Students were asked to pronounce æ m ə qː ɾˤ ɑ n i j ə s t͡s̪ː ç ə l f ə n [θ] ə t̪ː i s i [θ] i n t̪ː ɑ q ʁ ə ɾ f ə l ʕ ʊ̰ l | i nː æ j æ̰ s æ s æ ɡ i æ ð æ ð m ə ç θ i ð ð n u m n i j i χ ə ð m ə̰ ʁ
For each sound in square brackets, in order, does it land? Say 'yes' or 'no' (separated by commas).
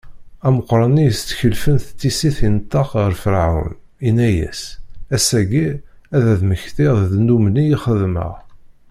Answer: yes, yes